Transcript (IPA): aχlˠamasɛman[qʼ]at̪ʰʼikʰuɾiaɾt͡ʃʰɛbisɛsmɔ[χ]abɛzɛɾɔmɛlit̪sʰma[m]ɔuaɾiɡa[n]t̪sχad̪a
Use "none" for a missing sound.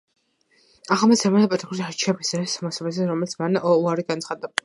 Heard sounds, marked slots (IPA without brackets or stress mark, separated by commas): pʼ, s, n, n